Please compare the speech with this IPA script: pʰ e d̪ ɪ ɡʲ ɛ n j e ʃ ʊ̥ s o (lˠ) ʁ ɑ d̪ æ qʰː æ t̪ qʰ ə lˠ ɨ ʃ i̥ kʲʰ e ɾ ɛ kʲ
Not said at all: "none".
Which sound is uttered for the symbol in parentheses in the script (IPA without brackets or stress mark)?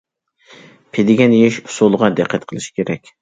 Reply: lˠ